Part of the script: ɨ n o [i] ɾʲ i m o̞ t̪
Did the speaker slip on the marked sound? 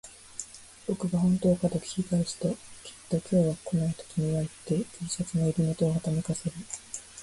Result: no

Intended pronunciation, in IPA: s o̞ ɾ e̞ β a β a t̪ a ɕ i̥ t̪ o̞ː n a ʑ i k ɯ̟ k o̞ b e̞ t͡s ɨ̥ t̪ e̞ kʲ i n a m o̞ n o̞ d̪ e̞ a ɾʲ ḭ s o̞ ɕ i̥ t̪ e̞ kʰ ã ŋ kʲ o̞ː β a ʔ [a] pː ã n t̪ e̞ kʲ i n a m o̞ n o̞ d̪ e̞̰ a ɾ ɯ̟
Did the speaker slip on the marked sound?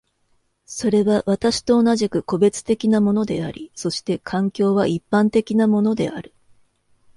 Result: yes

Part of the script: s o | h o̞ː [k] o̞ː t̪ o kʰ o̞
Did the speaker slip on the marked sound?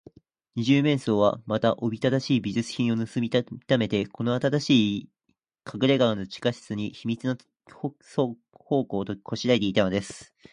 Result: no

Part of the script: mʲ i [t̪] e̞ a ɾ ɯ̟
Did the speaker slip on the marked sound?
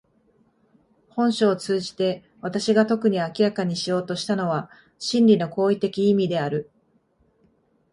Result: yes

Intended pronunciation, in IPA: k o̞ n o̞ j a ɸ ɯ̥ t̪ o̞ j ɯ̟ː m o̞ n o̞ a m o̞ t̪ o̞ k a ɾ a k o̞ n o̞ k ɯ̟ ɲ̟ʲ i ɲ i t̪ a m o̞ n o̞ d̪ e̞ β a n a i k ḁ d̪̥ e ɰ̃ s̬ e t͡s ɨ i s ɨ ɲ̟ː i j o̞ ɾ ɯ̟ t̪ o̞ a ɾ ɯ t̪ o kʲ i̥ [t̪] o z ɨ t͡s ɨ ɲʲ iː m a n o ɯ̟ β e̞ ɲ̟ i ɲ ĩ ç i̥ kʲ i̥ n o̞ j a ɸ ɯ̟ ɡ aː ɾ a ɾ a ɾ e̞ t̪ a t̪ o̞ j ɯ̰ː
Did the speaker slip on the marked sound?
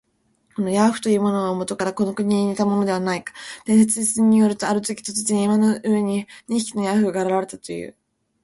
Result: no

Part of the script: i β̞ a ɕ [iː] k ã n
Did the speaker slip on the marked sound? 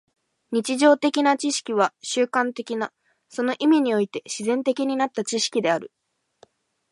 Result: yes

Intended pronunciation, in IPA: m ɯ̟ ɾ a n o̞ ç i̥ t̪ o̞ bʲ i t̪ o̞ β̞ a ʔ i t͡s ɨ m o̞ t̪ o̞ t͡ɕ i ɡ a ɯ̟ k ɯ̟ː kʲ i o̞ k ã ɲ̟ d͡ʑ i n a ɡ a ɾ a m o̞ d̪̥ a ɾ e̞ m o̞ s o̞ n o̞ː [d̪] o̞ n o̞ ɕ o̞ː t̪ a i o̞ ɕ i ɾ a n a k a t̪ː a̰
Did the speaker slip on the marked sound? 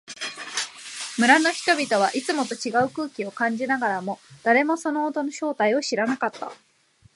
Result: yes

